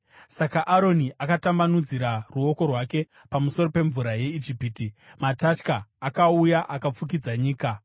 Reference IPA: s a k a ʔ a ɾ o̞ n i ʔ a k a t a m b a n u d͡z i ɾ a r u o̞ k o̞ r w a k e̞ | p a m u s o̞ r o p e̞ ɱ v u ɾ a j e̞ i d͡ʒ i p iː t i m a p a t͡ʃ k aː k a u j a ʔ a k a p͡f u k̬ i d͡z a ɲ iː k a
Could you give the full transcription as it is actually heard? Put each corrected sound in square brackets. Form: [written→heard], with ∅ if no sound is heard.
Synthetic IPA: s a k a ʔ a ɾ o̞ n i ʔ a k a t a m b a n u d͡z i ɾ a r u o̞ k o̞ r w a k e̞ | p a m u s o̞ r o p e̞ ɱ v u ɾ a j e̞ i d͡ʒ i p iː t i m a [p→t] a t͡ʃ k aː k a u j a ʔ a k a p͡f u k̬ i d͡z a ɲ iː k a